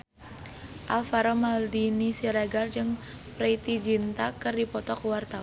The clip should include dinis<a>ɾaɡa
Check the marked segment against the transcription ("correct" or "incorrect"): incorrect